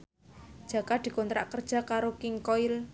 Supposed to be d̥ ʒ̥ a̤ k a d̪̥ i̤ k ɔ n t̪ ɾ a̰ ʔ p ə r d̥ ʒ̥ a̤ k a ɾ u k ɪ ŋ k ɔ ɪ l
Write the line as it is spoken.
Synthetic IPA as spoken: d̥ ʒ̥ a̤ k a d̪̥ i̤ k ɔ n t̪ ɾ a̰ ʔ k ə r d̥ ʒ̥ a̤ k a ɾ o k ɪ ŋ k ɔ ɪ l